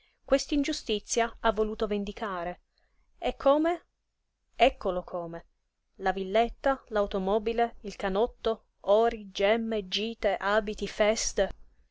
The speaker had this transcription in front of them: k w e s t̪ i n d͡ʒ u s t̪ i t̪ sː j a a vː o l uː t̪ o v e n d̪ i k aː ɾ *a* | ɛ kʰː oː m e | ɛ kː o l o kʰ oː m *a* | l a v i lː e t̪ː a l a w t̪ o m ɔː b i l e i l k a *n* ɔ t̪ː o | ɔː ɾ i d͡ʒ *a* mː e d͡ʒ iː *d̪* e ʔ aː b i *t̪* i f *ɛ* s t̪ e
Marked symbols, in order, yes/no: no, no, yes, no, no, yes, yes

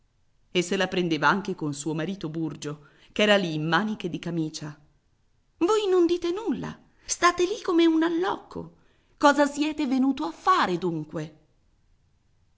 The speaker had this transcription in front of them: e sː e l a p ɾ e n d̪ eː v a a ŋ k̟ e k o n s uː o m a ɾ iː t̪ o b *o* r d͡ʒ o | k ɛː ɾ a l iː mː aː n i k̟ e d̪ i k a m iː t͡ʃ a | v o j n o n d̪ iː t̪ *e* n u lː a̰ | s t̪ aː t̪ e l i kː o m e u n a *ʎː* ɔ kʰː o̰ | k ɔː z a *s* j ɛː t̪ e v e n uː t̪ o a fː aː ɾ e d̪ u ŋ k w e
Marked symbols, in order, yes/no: no, yes, no, yes

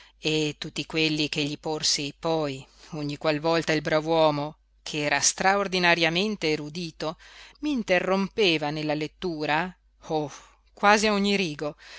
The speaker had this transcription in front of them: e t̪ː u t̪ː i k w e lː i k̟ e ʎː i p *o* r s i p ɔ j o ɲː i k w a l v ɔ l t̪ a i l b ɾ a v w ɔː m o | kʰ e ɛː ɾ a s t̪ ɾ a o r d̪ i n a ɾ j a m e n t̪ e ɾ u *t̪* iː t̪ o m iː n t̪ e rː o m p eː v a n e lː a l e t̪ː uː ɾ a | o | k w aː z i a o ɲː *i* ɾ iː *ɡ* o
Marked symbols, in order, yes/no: yes, no, yes, yes

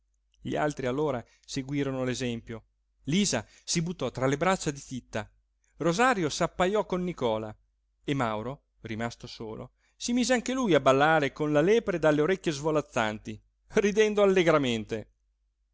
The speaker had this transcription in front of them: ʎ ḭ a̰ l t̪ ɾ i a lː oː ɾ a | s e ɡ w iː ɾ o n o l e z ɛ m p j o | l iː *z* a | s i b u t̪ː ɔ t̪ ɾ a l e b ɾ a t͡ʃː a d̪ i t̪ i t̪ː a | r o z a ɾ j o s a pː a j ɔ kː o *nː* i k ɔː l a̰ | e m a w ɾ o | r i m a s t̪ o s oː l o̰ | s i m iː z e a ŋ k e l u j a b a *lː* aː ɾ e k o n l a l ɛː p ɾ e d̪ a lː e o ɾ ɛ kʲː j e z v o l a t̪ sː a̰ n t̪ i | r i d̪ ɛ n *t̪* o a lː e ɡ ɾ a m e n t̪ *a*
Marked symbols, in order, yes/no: yes, yes, yes, no, no

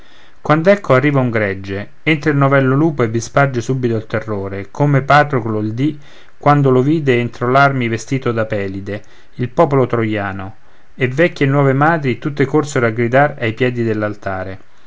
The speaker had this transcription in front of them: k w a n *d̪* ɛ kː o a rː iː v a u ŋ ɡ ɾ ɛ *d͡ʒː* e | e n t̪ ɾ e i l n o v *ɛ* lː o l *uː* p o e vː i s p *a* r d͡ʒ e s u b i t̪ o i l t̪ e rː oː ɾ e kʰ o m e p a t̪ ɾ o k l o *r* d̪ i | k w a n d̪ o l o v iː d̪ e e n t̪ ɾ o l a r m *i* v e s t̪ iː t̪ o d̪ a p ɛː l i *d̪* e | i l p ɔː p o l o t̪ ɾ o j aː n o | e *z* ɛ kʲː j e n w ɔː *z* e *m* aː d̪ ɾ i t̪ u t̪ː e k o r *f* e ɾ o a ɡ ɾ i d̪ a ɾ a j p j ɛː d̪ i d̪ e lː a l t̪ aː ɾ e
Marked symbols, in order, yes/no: yes, yes, yes, yes, yes, no, yes, yes, no, no, yes, no

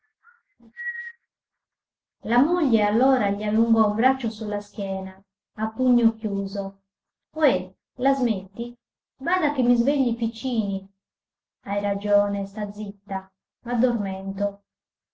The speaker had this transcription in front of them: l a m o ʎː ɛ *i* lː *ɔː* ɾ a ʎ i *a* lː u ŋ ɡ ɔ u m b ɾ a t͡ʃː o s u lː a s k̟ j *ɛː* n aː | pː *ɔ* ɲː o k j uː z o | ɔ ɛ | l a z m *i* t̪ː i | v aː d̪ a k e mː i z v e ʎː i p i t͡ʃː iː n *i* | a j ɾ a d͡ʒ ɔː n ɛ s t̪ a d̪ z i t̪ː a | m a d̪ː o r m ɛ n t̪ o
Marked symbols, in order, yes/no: no, yes, yes, yes, no, no, yes

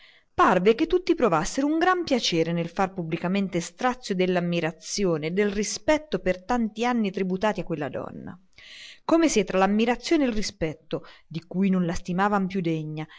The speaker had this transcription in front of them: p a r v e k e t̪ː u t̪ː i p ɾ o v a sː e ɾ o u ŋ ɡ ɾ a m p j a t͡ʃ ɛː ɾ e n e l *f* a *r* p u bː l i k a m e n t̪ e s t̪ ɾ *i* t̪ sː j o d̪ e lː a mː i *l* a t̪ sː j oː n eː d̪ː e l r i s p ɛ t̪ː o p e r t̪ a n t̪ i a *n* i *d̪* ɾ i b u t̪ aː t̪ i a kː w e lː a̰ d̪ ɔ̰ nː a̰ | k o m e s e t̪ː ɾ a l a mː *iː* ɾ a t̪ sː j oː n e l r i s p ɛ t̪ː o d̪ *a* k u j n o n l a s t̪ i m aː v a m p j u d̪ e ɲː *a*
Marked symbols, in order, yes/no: yes, yes, no, no, no, no, no, no, yes

